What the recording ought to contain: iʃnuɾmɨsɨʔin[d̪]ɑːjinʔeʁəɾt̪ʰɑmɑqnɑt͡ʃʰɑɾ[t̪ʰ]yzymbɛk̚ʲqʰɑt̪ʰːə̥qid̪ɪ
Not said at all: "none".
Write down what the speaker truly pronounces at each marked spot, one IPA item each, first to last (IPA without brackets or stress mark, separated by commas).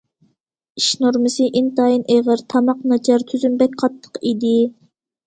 t̪, t̪ʰ